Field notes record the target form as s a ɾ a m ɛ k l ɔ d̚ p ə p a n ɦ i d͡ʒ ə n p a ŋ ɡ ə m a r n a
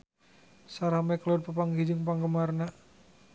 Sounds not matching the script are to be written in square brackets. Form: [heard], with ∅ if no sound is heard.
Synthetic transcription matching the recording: s a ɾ a m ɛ k l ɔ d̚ p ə p a [ŋ] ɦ i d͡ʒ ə [ŋ] p a ŋ ɡ ə m a r n a